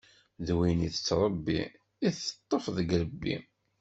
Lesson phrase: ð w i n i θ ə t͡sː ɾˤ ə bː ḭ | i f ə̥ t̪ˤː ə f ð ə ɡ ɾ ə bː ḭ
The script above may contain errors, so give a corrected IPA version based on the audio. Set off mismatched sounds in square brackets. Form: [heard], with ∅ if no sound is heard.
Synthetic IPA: ð w i n i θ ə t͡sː ɾˤ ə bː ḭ | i [θ] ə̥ t̪ˤː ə f ð ə ɡ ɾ ə bː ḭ